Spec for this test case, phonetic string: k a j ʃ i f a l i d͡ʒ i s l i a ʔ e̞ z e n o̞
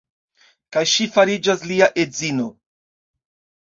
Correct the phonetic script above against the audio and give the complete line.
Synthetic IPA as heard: k a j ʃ i f a ɾ i d͡ʒ a s l i a ʔ e̞ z i n o̞